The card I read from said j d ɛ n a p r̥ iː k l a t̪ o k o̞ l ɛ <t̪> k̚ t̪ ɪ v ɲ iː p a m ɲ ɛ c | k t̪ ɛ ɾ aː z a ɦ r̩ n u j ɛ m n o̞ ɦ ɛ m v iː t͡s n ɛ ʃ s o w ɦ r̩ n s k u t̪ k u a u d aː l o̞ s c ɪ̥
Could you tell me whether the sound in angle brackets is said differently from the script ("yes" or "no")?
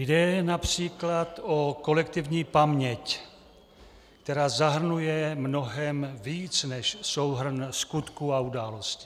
yes